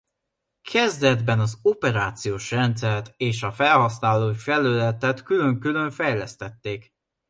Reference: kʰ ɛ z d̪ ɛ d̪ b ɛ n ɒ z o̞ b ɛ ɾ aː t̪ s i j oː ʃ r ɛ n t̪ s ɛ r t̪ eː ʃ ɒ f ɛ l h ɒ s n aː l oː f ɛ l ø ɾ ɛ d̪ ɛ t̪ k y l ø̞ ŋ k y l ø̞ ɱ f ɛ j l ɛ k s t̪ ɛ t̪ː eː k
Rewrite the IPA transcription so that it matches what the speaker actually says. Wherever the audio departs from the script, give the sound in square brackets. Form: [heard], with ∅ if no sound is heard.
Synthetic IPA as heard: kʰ ɛ z d̪ ɛ d̪ b ɛ n ɒ z o̞ [p] ɛ ɾ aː t̪ s i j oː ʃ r ɛ n t̪ s ɛ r t̪ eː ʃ ɒ f ɛ l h ɒ s n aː l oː f ɛ l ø [l] ɛ [t̪] ɛ t̪ k y l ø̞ ŋ k y l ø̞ ɱ f ɛ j l ɛ [∅] s t̪ ɛ t̪ː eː k

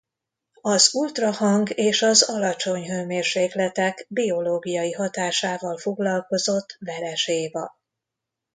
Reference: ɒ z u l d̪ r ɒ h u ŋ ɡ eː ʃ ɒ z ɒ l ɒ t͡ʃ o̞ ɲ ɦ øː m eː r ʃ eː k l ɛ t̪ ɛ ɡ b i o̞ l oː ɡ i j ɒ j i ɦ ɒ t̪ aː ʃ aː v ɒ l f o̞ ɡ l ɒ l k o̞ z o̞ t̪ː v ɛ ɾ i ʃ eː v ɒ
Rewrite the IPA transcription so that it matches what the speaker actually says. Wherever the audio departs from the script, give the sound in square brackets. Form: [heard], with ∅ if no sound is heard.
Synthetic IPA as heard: ɒ z u l [t̪] r ɒ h [ɒ] ŋ ɡ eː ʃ ɒ z ɒ l ɒ t͡ʃ o̞ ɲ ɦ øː m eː r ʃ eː k l ɛ t̪ ɛ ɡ b i o̞ l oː ɡ i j ɒ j i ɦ ɒ t̪ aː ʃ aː v ɒ l f o̞ ɡ l ɒ l k o̞ z o̞ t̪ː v ɛ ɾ [ɛ] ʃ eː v ɒ

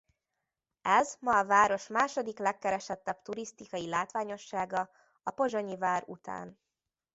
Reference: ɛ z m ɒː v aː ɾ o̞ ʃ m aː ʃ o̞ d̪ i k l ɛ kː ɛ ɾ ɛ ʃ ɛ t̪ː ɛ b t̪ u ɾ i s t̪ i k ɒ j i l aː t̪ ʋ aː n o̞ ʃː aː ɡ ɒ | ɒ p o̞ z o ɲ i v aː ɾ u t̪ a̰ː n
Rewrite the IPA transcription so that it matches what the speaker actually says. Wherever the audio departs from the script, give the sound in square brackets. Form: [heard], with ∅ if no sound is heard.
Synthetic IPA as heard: ɛ z m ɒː v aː ɾ o̞ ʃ m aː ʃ o̞ d̪ i k l ɛ kː ɛ ɾ ɛ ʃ ɛ t̪ː ɛ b t̪ u ɾ i s t̪ i k ɒ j i l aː t̪ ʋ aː [ɲ] o̞ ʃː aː ɡ ɒ | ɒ p o̞ [ʒ] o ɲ i v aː ɾ u t̪ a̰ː n

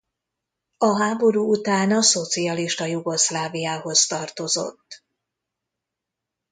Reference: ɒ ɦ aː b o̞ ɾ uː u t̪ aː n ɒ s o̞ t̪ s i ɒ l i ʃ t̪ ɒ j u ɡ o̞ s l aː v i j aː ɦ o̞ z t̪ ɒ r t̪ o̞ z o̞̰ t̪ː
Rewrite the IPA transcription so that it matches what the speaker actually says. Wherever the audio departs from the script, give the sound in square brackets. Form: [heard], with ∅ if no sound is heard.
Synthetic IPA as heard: ɒ ɦ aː b o̞ ɾ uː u t̪ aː n ɒ s o̞ t̪ s i ɒ l i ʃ t̪ ɒ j u ɡ o̞ s l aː v i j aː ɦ o̞ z t̪ ɒ r t̪ o̞ z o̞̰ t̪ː

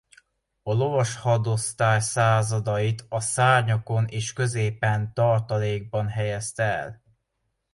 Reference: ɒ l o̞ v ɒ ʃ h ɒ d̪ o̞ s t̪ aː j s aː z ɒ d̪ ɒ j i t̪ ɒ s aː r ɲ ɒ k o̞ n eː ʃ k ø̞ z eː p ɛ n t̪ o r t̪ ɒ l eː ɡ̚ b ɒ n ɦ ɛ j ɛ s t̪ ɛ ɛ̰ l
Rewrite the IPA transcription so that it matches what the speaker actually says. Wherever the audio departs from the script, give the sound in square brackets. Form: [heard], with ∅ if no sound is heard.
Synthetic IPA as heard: ɒ l o̞ v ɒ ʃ h ɒ d̪ o̞ s t̪ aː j s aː z ɒ d̪ ɒ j i t̪ ɒ s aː r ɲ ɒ k o̞ n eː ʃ k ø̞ z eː p ɛ n t̪ [ɒ] r t̪ ɒ l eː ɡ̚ b ɒ n ɦ ɛ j ɛ s t̪ ɛ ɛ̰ l

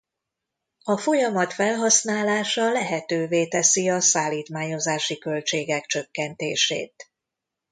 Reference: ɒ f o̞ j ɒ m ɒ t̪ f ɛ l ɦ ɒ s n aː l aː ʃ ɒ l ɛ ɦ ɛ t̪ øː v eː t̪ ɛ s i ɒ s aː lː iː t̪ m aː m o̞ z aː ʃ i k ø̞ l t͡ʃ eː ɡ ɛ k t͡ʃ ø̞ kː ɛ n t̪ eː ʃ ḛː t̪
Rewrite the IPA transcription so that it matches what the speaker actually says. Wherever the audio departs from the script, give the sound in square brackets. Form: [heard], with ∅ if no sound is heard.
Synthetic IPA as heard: ɒ f o̞ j ɒ m ɒ t̪ f ɛ l ɦ ɒ s n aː l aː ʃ ɒ l ɛ ɦ ɛ t̪ øː v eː t̪ ɛ s i ɒ s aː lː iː t̪ m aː [ɲ] o̞ z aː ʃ i k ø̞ l t͡ʃ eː ɡ ɛ k t͡ʃ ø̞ kː ɛ n t̪ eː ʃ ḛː t̪

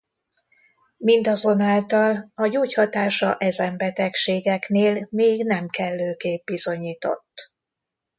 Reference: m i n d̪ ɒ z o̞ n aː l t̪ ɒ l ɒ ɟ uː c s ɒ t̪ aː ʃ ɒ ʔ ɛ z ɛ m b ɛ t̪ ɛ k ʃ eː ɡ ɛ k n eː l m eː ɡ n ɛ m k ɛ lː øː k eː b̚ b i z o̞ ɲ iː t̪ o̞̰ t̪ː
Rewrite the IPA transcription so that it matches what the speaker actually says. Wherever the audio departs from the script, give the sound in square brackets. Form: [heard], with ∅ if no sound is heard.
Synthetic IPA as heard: m i n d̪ ɒ z o̞ n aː l t̪ ɒ l ɒ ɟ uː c [h] ɒ t̪ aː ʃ ɒ ʔ ɛ z ɛ m b ɛ t̪ ɛ k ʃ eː ɡ ɛ k n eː l m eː ɡ n ɛ m k ɛ lː øː k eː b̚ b i z o̞ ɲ iː t̪ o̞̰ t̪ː

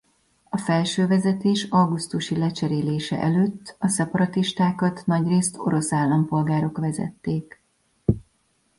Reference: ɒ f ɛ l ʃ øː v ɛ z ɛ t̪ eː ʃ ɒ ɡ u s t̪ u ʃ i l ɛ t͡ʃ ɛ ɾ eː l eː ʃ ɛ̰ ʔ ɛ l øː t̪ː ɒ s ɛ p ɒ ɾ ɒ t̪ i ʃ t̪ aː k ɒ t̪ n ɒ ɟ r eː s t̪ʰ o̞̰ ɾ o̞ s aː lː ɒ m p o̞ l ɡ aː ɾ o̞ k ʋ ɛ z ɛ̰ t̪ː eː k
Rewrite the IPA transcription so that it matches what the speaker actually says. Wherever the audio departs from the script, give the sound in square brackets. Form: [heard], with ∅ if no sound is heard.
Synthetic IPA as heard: ɒ f ɛ l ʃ øː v ɛ z ɛ t̪ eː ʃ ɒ ɡ u s t̪ u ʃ i l ɛ t͡ʃ ɛ ɾ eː l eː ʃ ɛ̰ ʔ ɛ l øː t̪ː ɒ s ɛ p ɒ ɾ ɒ t̪ i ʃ t̪ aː k ɒ t̪ n ɒ ɟ r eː s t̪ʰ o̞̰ ɾ o̞ s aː lː ɒ m p o̞ l ɡ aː ɾ o̞ k ʋ ɛ z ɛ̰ t̪ː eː k

